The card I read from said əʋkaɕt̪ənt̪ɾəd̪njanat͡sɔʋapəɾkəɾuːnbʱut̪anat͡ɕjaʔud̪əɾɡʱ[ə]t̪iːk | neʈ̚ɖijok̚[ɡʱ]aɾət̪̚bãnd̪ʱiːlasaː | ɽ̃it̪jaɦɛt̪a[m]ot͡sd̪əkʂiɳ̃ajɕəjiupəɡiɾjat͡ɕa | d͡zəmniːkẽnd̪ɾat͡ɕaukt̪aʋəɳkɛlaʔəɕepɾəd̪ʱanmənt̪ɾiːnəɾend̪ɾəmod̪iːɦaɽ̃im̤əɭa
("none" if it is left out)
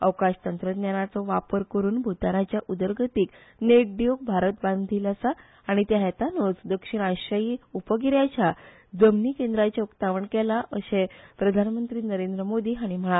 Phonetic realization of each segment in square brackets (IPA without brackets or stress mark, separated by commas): ə, bʱ, n